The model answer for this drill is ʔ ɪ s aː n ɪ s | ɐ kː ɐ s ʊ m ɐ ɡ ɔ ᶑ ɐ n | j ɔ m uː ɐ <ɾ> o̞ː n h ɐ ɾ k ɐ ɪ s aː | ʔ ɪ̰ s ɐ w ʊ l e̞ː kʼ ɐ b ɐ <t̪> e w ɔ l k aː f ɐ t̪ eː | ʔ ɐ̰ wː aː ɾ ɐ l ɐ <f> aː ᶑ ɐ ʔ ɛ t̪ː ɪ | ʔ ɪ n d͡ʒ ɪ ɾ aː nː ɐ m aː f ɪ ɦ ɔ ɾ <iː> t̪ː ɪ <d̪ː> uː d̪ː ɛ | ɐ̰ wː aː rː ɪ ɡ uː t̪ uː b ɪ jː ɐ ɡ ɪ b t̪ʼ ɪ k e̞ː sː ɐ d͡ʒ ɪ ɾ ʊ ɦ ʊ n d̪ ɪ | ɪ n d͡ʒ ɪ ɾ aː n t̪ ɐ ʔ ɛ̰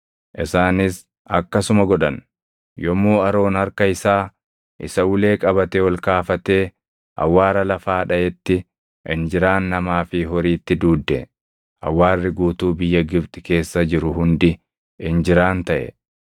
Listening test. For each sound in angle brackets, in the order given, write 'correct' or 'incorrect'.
correct, correct, correct, correct, incorrect: d̪

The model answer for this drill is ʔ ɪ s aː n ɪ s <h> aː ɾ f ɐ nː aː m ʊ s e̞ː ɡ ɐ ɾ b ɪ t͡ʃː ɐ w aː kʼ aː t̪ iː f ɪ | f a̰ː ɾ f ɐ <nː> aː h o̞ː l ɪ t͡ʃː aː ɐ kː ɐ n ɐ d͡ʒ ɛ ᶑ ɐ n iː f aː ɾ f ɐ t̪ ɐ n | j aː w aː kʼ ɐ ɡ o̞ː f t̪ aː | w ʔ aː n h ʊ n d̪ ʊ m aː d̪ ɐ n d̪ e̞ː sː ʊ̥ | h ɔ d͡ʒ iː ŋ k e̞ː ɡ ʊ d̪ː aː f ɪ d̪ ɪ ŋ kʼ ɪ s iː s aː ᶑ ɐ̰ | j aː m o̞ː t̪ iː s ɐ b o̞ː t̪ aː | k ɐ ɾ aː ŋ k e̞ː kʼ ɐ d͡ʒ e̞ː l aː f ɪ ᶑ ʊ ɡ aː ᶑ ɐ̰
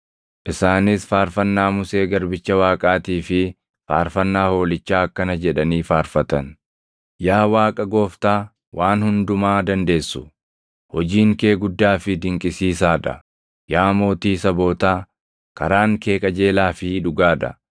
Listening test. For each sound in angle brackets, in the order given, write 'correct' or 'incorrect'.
incorrect: f, correct

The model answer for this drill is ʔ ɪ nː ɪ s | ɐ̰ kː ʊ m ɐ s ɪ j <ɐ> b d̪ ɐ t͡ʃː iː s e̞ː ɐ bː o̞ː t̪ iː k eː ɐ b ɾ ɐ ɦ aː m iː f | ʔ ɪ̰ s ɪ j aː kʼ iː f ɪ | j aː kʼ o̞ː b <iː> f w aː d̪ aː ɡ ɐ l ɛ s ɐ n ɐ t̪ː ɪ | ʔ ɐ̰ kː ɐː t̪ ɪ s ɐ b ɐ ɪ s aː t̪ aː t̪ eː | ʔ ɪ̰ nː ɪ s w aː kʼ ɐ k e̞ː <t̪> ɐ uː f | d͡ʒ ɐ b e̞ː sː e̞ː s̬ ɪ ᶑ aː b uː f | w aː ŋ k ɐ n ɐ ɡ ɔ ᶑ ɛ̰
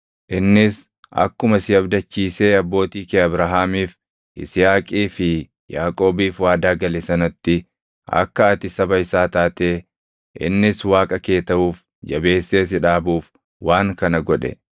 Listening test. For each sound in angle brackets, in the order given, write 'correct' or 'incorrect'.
correct, correct, correct

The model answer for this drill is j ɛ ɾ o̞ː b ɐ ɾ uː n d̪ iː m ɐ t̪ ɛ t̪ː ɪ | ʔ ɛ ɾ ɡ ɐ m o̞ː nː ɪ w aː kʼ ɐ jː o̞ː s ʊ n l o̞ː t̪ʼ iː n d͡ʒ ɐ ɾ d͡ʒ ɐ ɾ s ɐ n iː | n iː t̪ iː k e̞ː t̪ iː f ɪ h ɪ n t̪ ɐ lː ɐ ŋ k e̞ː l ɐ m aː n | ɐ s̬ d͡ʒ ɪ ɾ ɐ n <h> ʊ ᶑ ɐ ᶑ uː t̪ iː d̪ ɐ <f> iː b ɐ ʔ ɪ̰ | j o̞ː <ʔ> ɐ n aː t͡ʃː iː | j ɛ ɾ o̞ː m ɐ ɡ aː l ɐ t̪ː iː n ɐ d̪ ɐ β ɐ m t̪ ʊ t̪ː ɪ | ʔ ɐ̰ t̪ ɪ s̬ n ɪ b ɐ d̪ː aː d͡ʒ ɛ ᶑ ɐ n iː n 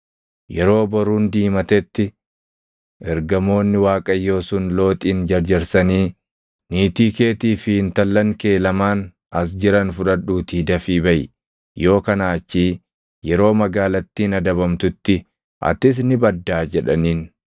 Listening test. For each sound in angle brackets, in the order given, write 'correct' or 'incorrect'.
incorrect: f, correct, incorrect: k

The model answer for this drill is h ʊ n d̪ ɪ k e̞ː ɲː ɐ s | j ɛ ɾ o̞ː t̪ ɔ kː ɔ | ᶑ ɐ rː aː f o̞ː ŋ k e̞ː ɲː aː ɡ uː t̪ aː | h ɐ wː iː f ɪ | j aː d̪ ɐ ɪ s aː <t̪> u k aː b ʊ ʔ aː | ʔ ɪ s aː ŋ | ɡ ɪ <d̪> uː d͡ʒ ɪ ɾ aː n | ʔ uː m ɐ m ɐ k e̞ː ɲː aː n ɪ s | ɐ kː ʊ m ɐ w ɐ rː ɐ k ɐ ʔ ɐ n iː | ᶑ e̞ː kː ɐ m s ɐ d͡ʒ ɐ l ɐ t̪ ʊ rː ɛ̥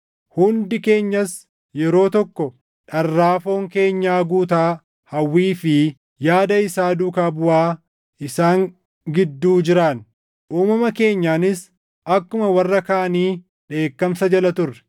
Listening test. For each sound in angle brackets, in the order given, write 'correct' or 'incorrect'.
incorrect: d̪, incorrect: d̪ː

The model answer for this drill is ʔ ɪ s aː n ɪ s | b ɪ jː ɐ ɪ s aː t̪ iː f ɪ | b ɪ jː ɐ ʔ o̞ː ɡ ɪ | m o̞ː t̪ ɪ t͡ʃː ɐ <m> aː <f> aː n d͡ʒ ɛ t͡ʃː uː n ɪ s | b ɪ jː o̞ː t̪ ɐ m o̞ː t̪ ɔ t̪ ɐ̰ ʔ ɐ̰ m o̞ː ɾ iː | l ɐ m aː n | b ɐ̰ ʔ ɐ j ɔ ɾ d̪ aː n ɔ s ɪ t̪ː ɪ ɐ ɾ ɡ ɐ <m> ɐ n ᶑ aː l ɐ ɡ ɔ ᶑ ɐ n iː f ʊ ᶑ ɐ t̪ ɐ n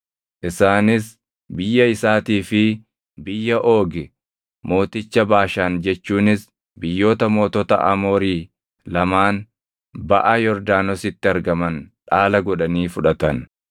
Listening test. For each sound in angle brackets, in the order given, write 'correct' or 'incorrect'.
incorrect: b, incorrect: ʃ, correct

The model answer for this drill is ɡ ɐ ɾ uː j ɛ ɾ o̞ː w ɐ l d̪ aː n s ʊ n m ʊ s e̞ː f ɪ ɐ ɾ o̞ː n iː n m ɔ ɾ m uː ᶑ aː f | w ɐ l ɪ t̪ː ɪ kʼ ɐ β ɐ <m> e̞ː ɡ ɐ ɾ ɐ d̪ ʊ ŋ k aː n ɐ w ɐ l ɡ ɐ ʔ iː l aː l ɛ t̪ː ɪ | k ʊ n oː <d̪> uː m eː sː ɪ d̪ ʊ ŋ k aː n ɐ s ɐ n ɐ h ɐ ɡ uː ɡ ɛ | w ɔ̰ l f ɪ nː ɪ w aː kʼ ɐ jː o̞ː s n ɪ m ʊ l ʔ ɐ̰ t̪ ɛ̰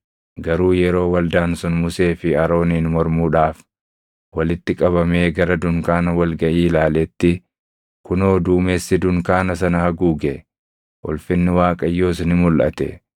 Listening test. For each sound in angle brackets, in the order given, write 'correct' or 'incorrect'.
correct, correct

